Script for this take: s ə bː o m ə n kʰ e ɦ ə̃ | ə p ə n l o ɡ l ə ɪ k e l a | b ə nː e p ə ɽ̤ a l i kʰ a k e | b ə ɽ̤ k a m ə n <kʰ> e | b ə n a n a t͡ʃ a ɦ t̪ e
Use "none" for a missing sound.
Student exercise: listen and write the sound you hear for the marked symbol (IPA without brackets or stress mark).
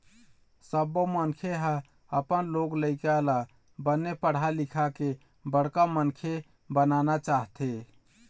kʰ